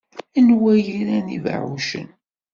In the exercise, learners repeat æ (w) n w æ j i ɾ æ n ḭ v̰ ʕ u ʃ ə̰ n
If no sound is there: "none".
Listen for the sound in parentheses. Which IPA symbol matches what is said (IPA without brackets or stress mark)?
none